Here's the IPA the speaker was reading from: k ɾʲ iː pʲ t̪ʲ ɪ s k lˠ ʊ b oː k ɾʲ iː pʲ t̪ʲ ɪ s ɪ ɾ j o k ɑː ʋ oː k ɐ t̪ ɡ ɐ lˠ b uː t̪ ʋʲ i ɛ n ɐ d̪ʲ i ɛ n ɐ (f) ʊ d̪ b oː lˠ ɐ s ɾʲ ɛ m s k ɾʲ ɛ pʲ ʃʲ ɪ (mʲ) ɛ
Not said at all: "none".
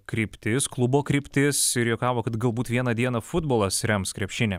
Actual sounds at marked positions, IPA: f, nʲ

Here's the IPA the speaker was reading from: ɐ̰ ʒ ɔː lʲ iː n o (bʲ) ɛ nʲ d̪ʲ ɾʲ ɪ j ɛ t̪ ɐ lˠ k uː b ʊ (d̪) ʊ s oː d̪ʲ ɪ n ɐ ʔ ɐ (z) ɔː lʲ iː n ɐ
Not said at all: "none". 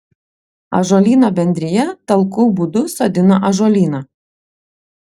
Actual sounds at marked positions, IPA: bʲ, d̪, ʒ

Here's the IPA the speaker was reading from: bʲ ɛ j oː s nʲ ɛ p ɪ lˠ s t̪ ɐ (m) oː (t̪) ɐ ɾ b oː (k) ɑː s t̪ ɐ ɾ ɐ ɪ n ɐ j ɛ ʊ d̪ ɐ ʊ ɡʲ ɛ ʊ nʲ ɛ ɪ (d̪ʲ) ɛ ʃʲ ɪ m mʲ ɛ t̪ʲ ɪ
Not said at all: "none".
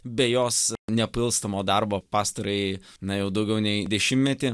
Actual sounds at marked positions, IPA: m, d̪, p, d̪ʲ

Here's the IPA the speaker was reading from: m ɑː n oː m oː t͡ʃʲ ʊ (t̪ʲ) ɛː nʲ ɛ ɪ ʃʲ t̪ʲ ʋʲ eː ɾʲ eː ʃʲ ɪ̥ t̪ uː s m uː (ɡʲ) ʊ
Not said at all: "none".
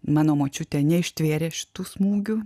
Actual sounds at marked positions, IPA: t̪ʲ, ɡʲ

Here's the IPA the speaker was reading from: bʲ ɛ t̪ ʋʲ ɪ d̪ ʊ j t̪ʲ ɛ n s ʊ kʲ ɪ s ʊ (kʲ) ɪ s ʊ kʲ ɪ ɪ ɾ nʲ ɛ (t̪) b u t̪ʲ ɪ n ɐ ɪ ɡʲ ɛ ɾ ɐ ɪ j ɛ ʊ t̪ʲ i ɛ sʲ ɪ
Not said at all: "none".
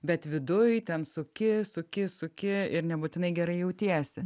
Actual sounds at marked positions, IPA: kʲ, none

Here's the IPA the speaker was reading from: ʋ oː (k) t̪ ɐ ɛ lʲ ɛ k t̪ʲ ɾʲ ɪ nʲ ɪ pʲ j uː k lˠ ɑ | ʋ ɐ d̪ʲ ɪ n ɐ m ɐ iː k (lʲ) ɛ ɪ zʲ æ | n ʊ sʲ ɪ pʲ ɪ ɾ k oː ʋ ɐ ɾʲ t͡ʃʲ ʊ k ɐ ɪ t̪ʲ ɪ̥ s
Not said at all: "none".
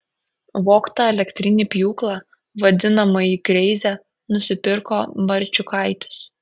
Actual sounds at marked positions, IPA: k, ɾʲ

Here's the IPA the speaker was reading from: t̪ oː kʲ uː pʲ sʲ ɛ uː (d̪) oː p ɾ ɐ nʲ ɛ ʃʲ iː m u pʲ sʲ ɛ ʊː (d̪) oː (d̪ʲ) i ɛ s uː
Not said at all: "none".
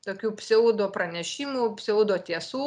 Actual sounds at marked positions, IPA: d̪, d̪, t̪ʲ

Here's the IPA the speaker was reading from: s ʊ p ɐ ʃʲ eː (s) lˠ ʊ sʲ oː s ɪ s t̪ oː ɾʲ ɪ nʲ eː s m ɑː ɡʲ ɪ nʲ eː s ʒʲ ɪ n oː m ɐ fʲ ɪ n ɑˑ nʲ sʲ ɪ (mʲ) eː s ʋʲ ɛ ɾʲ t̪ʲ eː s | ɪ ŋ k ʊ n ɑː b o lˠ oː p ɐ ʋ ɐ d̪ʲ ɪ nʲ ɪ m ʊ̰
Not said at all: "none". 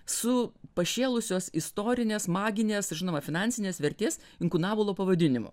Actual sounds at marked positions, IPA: none, nʲ

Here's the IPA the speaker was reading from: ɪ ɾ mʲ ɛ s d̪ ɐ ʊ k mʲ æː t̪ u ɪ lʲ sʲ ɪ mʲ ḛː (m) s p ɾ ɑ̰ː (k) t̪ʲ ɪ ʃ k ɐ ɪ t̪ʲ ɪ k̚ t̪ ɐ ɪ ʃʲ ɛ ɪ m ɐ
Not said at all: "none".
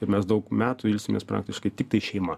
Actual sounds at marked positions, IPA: none, k

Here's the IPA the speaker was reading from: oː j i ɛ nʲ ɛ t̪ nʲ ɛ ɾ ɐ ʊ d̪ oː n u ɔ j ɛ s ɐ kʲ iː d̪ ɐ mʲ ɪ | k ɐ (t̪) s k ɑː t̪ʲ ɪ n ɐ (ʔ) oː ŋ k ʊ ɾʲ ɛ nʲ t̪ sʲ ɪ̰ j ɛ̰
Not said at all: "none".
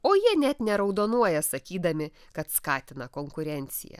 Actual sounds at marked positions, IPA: t̪, k

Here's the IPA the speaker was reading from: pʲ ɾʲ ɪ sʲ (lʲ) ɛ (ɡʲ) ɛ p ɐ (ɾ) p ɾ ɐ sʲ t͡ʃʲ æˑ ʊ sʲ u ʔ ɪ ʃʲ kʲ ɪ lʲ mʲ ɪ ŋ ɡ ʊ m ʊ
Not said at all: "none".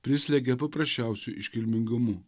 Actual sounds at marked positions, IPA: lʲ, ɡʲ, none

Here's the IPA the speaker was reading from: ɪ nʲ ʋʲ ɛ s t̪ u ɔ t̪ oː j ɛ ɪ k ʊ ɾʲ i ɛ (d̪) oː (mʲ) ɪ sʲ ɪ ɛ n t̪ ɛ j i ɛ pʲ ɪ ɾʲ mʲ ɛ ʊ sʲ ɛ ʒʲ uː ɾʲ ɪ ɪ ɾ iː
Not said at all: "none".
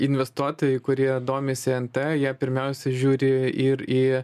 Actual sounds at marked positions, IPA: d̪, mʲ

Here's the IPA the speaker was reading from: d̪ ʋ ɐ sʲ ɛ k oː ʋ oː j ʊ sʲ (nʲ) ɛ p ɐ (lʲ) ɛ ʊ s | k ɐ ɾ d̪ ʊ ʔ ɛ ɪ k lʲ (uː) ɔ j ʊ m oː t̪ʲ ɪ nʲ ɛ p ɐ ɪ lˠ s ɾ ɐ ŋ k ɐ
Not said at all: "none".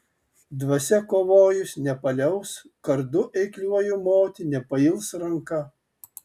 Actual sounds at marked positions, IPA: nʲ, lʲ, u

